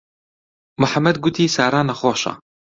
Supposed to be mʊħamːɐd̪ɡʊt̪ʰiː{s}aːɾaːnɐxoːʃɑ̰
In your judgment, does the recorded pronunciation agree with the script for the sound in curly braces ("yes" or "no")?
yes